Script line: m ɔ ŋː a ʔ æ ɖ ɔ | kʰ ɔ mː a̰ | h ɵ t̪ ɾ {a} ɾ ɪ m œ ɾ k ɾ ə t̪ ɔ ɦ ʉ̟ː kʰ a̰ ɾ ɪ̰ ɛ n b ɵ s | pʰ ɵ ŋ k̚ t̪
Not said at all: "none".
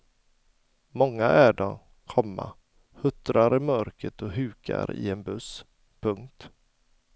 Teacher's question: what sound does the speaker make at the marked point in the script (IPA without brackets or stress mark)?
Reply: a